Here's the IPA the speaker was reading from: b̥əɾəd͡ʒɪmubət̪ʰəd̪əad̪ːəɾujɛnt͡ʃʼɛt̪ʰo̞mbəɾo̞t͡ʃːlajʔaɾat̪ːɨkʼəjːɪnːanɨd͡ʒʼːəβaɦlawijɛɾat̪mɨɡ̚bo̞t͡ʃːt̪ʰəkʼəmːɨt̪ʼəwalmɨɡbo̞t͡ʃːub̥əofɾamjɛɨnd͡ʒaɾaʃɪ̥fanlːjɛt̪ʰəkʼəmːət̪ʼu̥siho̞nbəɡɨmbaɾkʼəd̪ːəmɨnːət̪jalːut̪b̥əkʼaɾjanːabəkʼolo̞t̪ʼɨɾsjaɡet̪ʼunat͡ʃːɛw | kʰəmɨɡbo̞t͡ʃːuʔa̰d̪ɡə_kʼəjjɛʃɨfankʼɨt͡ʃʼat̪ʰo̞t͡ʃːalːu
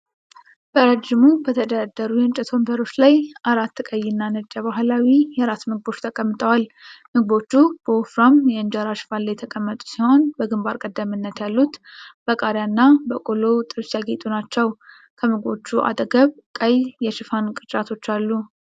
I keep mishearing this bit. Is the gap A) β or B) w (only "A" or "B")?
A